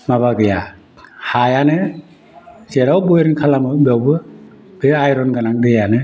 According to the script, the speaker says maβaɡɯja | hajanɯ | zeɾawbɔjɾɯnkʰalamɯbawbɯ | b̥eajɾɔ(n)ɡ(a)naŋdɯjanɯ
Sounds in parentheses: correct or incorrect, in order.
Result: correct, correct

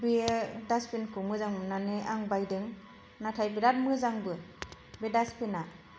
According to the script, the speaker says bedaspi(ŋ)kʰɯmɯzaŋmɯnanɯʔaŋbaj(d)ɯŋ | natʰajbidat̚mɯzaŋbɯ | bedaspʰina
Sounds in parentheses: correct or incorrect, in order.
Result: incorrect: n, correct

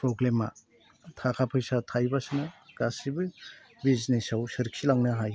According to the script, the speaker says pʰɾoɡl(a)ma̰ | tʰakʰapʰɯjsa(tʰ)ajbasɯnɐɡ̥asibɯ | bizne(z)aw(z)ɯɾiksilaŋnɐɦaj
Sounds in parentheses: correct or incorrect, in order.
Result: incorrect: e, correct, incorrect: s, incorrect: s

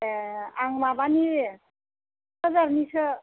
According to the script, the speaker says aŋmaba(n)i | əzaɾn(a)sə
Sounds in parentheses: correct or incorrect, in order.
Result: correct, incorrect: i

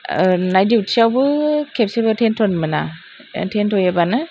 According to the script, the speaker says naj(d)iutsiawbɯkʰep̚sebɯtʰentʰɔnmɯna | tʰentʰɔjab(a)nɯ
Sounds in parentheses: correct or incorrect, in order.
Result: correct, correct

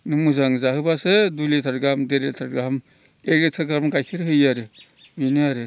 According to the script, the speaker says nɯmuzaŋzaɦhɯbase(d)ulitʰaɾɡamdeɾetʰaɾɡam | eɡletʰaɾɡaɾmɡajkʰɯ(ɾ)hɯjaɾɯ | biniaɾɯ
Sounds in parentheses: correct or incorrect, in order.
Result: correct, correct

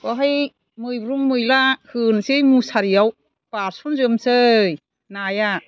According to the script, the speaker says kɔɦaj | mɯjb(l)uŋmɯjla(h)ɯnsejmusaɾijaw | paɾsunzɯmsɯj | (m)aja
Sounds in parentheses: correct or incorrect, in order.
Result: incorrect: ɾ, correct, incorrect: n

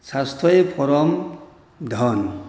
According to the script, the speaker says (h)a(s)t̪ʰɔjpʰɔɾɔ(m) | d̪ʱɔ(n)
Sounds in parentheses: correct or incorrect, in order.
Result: incorrect: s, correct, correct, correct

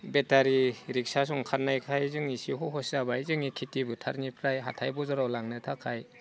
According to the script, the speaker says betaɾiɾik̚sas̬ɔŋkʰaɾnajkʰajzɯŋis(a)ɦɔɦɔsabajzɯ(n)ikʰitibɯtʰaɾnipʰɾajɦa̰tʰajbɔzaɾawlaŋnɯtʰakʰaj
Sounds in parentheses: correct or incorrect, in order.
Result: incorrect: i, incorrect: ŋ

